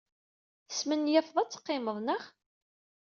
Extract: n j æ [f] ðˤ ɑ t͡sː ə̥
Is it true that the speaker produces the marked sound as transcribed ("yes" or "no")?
yes